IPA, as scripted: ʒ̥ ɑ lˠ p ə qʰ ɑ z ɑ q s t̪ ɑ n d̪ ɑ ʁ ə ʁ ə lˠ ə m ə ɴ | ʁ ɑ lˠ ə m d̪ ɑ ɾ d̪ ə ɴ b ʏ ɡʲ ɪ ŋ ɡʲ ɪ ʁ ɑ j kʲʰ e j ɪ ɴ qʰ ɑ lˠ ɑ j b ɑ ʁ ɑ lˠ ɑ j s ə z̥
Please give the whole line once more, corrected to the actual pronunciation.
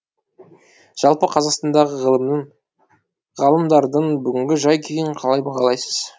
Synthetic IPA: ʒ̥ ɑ lˠ p ə qʰ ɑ z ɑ q s t̪ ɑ n d̪ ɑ ʁ ə ʁ ə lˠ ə m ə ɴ | ʁ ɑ lˠ ə m d̪ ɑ ɾ d̪ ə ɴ b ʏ ɡʲ ɪ ŋ ɡʲ ɪ ʒ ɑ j kʲʰ e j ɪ ɴ qʰ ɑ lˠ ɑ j b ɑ ʁ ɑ lˠ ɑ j s ə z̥